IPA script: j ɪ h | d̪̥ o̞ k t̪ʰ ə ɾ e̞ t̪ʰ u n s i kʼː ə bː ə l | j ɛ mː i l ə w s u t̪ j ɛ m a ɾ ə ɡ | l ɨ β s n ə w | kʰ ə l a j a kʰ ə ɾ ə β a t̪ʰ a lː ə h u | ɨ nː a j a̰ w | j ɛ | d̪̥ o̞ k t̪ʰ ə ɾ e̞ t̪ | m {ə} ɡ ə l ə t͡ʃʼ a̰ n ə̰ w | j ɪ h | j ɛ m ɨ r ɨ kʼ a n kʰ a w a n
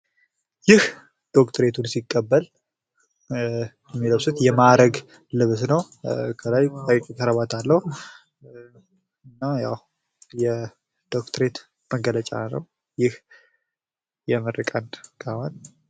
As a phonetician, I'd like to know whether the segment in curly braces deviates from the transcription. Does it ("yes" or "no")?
no